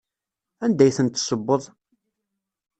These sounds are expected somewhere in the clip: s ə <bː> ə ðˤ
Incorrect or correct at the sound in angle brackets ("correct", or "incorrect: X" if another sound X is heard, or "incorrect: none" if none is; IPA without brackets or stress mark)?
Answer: correct